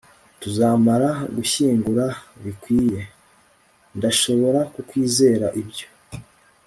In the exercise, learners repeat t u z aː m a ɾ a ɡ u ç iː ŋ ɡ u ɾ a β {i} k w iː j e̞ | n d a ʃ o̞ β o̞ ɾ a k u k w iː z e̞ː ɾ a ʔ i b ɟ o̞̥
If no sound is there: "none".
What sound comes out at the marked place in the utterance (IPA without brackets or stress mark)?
i